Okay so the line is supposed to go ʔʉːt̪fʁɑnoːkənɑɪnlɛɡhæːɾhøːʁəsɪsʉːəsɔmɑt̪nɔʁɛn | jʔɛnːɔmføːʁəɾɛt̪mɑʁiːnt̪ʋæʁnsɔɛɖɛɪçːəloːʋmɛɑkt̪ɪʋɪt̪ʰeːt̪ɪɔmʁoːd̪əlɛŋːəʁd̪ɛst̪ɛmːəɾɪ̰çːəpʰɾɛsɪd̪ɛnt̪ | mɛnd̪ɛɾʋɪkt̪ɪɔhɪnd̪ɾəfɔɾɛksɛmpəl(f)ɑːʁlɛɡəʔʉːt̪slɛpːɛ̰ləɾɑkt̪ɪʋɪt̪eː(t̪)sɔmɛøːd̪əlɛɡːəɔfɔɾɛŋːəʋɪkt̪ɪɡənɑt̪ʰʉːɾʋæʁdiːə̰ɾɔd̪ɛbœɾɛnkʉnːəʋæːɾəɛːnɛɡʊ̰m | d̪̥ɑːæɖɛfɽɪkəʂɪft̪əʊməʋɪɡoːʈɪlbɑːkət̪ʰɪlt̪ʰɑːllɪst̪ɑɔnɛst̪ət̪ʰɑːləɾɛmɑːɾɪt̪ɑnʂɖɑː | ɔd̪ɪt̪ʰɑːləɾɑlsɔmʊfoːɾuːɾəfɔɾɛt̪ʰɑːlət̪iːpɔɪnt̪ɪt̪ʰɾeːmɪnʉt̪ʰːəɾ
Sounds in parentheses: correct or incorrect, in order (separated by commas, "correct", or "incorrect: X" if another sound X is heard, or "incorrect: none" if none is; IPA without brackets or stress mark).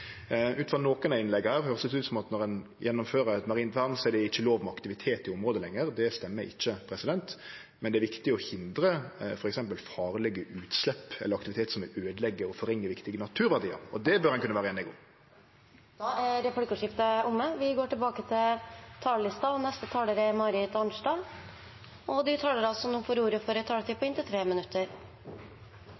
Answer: correct, correct